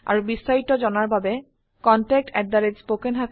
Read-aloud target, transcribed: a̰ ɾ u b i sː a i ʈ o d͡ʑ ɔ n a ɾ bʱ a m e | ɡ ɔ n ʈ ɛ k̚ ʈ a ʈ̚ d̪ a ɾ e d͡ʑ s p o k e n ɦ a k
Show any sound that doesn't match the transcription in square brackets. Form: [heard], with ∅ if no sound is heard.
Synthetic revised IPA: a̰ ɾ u b i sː a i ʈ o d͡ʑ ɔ n a ɾ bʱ a [b] e | [k] ɔ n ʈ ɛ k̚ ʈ [ɛ] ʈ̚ d̪ a ɾ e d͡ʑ s p o k e n ɦ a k